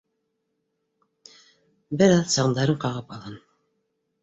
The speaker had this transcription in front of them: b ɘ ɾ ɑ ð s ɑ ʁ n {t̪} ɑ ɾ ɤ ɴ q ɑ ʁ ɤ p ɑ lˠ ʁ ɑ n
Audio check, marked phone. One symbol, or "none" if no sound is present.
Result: d̪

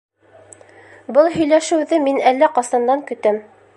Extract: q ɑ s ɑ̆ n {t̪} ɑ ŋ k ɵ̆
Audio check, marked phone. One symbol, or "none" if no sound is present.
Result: d̪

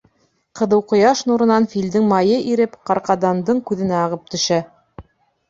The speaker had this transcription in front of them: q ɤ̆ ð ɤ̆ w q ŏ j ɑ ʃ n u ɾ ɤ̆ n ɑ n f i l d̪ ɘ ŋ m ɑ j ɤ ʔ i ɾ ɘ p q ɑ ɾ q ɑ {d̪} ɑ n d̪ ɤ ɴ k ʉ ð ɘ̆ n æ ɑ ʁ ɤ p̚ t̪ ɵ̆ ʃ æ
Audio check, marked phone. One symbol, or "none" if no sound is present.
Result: d̪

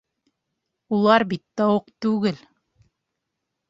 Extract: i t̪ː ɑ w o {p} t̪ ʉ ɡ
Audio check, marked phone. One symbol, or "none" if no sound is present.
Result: q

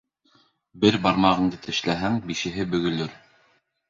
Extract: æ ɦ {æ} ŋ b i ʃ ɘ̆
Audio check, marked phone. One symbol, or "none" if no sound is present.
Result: æ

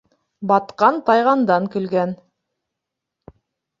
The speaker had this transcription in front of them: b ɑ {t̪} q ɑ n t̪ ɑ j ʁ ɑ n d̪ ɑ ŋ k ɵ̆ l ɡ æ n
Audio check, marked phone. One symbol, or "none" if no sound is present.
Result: t̪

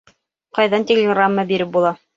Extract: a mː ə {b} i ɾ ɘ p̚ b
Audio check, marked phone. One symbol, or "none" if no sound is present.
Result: b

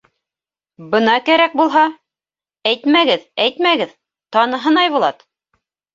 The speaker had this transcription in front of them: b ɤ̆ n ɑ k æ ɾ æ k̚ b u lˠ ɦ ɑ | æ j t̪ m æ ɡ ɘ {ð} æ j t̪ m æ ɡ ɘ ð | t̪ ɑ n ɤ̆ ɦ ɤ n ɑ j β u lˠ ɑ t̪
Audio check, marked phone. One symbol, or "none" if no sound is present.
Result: ð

